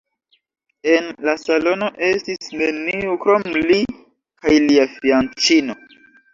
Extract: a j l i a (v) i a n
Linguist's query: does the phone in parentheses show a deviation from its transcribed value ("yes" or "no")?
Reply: yes